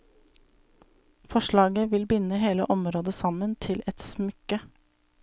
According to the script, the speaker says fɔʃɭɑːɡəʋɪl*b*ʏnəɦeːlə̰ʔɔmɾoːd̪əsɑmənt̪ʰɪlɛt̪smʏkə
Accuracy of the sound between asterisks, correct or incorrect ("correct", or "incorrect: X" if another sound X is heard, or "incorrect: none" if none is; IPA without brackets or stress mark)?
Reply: correct